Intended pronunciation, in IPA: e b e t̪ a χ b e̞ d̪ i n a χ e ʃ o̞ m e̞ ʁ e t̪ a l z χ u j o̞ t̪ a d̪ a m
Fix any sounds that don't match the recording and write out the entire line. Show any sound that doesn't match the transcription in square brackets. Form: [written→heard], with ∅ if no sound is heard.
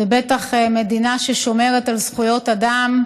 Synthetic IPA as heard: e b e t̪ a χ [b→m] e̞ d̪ i n a [χ→ʃ] e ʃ o̞ m e̞ ʁ e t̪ a l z χ u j o̞ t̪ a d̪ a m